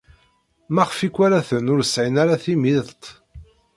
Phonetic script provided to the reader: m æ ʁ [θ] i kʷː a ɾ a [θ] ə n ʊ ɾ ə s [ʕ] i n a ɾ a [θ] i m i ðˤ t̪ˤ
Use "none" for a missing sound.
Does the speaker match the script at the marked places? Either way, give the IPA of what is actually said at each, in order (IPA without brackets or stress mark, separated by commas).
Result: f, θ, ʕ, θ